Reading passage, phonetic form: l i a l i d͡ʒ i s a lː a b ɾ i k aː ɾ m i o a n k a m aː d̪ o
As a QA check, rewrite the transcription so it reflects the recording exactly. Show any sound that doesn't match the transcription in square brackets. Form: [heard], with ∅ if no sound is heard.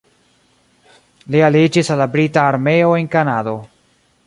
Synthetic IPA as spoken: l i a l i d͡ʒ i s a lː a b ɾ i [t] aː ɾ m [e] o [e] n k a [n] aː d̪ o

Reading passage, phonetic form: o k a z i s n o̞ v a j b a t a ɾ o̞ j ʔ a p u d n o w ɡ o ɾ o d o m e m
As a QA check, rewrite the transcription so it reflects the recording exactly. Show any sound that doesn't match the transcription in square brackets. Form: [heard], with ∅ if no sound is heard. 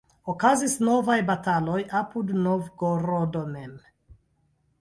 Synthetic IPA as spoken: o k a z i s n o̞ v a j b a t a [l] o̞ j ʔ a p u d n o [v] ɡ o ɾ o d o m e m

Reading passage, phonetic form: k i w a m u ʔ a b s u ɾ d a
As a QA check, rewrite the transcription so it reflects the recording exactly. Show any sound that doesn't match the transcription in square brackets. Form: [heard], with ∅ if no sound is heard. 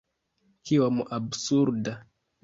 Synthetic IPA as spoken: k i w a m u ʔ a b s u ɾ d a

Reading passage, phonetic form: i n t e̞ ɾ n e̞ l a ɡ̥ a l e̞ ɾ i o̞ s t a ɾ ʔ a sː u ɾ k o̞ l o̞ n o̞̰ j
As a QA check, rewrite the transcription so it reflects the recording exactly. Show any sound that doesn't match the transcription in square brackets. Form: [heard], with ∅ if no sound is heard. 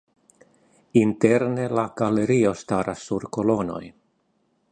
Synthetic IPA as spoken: i n t e̞ ɾ n e̞ l a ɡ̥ a l e̞ ɾ i o̞ s t a ɾ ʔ a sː u ɾ k o̞ l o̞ n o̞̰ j

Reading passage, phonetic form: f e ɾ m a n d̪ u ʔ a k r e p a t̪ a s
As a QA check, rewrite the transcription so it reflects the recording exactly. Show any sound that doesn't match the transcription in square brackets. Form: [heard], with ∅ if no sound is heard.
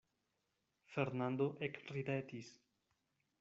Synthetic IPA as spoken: f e ɾ [n] a n d̪ [o] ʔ [e] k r [i] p [e] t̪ [i] s

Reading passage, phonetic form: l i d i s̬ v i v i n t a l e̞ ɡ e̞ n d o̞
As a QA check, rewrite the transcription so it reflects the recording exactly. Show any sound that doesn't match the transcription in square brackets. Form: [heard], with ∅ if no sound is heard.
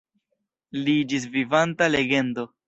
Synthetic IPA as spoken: l i [d͡ʒ] i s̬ v i v [a] n t a l e̞ ɡ e̞ n d o̞

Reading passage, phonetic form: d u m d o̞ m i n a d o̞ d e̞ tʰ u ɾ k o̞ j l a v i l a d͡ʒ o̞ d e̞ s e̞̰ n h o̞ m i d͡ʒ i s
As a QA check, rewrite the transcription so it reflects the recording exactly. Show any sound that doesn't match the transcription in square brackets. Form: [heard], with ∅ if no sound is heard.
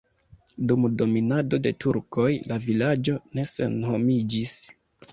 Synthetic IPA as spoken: d u m d o̞ m i n a d o̞ d e̞ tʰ u ɾ k o̞ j l a v i l a d͡ʒ o̞ [n] e̞ s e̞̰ n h o̞ m i d͡ʒ i s

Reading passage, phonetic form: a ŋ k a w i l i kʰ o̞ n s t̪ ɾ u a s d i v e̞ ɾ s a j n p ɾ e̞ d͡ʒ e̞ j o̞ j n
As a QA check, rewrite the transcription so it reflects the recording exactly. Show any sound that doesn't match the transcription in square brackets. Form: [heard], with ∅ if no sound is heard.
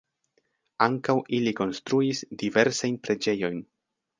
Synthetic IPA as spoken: a ŋ k a w i l i [k] o̞ n s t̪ ɾ u [i] s d i v e̞ ɾ s a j n p ɾ e̞ d͡ʒ e̞ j o̞ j n

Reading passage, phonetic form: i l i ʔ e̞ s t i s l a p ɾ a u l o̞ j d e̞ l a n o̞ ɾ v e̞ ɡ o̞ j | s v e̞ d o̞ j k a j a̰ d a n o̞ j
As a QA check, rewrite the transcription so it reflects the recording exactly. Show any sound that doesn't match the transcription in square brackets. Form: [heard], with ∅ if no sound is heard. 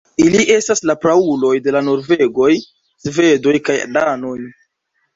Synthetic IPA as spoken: i l i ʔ e̞ s t [a] s l a p ɾ a u l o̞ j d e̞ l a n o̞ ɾ v e̞ ɡ o̞ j | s v e̞ d o̞ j k a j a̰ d a n o̞ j

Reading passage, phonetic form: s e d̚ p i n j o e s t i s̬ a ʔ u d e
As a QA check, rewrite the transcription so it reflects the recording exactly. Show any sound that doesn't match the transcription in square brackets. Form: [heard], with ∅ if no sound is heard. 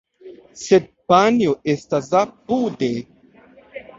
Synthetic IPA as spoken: s e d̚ p [a] n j o e s t [a] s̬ a [p] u d e

